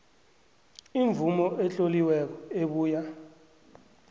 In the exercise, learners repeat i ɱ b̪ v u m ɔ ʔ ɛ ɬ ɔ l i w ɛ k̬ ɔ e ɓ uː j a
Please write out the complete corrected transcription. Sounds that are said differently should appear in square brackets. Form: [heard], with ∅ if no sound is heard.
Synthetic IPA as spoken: i ɱ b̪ v u m ɔ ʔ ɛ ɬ [o] l i w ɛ k̬ ɔ e ɓ uː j a

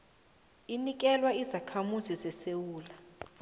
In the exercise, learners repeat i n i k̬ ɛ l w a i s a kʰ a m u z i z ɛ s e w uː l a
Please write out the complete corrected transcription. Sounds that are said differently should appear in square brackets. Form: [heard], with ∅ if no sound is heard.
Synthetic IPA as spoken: i n i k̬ ɛ l w a i [z] a kʰ a m u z i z ɛ s e w uː l a

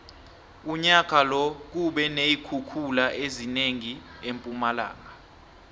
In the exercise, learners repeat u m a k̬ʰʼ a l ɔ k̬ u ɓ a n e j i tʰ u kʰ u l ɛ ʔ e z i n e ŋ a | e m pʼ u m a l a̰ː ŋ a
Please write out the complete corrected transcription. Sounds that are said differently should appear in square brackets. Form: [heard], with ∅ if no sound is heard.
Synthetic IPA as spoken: u [ɲ] a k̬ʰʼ a l ɔ k̬ u ɓ [ɛ] n e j i [kʰ] u kʰ u l [a] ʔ e z i n e ŋ [i] | e m pʼ u m a l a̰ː ŋ a

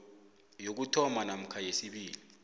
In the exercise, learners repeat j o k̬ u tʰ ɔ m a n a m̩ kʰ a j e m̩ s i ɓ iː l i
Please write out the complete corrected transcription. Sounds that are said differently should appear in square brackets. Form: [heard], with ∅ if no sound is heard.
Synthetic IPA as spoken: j o k̬ u tʰ ɔ m a n a m̩ kʰ a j e [∅] s i ɓ iː l i

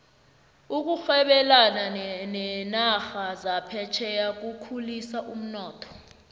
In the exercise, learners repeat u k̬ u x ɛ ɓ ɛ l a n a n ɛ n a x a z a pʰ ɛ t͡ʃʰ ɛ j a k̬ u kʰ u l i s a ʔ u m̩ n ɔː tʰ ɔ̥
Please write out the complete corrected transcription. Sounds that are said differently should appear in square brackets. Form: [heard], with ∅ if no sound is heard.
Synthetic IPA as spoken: u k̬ u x ɛ ɓ ɛ l a n a n ɛ n a x a z a pʰ ɛ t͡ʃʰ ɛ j a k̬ u kʰ u l i s a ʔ u m̩ n ɔː tʰ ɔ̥

